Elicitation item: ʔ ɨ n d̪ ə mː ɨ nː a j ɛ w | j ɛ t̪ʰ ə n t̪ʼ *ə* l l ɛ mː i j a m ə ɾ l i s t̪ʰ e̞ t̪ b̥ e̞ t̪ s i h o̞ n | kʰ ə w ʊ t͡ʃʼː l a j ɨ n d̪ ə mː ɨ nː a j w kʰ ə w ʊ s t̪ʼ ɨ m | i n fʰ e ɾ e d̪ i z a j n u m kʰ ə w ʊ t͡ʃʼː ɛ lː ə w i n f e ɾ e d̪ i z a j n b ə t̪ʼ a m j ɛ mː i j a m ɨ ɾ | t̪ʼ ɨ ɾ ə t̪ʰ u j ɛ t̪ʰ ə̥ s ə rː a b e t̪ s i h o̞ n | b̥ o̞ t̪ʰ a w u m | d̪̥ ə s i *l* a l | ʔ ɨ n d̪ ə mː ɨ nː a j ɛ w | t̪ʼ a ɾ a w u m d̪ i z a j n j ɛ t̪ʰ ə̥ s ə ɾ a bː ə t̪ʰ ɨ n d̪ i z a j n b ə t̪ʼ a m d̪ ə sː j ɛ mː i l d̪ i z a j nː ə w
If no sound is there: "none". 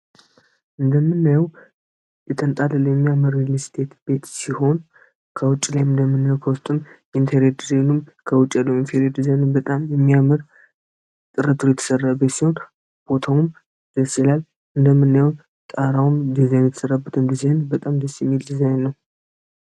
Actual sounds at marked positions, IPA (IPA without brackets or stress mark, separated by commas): a, l